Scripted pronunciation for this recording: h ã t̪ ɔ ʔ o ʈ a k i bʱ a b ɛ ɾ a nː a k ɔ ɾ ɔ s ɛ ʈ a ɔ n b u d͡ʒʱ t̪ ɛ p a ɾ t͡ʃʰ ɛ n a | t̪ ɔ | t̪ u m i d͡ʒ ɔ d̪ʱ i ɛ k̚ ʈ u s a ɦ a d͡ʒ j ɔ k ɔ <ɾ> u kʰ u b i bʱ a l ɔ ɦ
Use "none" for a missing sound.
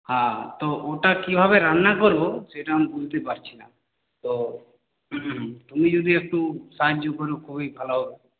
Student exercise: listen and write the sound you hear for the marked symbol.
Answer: ɾ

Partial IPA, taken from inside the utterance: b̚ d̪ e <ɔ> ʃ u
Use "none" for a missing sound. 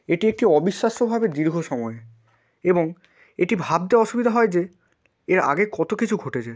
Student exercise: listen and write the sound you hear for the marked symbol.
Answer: ɔ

